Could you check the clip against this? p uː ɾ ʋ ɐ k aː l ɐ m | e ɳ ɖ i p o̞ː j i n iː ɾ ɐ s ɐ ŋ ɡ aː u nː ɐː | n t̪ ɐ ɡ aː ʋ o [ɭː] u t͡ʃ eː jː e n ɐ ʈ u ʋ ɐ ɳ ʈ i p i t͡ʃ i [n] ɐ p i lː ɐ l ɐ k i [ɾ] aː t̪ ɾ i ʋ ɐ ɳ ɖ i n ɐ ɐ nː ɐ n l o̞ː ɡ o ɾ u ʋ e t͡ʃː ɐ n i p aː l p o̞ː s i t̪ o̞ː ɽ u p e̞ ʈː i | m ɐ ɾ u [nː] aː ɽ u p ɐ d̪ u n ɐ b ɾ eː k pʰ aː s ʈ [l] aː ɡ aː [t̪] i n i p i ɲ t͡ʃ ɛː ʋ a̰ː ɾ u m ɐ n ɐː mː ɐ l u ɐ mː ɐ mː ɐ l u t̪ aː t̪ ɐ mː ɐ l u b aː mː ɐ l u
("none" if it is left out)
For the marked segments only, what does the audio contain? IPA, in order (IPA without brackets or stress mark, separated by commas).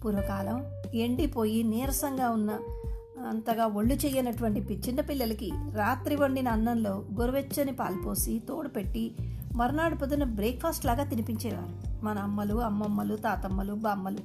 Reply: ɭː, nː, ɾ, n, l, t̪